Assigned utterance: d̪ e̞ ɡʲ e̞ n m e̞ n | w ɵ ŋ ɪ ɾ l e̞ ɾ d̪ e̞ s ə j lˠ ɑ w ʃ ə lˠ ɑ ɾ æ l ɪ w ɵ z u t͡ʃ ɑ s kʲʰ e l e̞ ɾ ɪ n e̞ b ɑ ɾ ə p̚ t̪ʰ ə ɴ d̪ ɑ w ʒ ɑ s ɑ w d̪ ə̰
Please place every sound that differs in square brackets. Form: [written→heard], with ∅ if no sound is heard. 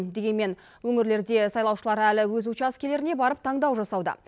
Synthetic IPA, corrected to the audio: d̪ e̞ ɡʲ e̞ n m e̞ n | w ɵ ŋ ɪ ɾ l e̞ ɾ d̪ e̞ s [ə→ɑ] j lˠ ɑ w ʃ ə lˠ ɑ ɾ æ l ɪ w ɵ z u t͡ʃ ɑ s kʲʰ e l e̞ ɾ ɪ n e̞ b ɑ ɾ ə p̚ t̪ʰ [ə→ɑ] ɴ d̪ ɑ w ʒ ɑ s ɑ w d̪ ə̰